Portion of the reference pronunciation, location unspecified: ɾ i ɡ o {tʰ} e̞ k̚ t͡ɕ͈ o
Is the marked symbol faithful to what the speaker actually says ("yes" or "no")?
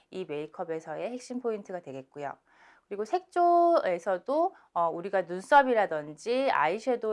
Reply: no